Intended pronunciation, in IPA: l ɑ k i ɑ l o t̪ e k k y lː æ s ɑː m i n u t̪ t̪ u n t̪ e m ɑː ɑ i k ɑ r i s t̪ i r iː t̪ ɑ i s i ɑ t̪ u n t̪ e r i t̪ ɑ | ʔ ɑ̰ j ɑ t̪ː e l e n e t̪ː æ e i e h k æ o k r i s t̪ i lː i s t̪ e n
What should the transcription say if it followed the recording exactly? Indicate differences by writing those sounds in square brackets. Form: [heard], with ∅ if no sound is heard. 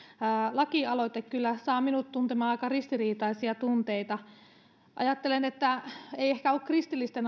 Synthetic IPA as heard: l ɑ k i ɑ l o t̪ e k k y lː æ s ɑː m i n u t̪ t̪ u n t̪ e m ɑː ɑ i k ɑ r i s t̪ i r iː t̪ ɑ i s i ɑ t̪ u n t̪ e [∅] i t̪ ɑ | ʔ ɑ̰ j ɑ t̪ː e l e n e t̪ː æ e i e h k æ o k r i s t̪ i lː i s t̪ e n